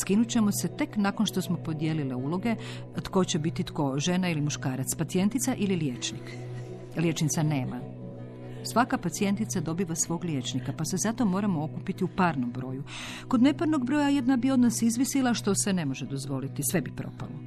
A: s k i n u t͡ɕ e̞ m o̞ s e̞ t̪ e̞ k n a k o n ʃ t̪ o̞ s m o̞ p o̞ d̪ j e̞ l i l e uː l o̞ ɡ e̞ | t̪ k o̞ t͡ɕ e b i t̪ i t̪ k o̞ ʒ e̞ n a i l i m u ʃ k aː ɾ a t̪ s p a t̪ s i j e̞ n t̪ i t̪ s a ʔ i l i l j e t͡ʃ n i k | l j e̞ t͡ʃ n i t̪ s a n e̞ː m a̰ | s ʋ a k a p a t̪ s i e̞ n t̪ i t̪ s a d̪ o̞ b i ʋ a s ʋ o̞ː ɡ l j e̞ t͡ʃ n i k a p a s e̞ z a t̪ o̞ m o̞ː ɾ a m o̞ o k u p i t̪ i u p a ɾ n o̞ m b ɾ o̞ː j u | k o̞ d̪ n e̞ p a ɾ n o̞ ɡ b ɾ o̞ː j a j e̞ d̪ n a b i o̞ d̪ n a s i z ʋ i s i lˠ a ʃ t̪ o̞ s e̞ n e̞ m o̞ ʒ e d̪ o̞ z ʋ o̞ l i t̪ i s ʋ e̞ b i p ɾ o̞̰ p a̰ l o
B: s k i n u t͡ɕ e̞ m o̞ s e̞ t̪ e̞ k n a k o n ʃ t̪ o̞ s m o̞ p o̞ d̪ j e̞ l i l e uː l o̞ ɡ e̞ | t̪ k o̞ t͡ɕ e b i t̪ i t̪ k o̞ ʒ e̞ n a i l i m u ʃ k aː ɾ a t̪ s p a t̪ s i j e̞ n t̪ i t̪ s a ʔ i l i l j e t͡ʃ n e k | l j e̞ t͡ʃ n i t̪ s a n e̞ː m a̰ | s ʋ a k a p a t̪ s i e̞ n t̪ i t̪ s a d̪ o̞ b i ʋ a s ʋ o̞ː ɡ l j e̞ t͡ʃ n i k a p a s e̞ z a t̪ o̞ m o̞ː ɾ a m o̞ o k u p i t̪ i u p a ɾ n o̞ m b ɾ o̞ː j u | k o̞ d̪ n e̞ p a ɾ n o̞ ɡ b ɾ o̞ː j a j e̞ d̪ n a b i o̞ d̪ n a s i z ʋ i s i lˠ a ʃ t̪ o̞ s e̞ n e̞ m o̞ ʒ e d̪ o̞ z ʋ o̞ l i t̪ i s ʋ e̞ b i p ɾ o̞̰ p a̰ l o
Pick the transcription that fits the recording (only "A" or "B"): A